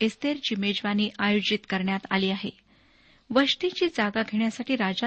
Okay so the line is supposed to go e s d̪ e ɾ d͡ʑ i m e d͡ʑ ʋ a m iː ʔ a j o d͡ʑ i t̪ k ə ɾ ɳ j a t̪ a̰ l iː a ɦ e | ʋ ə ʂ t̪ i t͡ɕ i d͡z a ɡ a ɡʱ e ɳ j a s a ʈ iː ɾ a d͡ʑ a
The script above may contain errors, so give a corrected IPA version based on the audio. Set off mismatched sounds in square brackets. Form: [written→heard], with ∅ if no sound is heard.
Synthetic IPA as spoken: e s [d̪→t̪] e ɾ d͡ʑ i m e d͡ʑ ʋ a [m→n] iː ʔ a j o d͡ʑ i t̪ k ə ɾ ɳ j a t̪ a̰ l iː a ɦ e | ʋ ə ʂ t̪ i t͡ɕ [i→iː] d͡z a ɡ a ɡʱ e ɳ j a s a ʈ iː ɾ a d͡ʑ a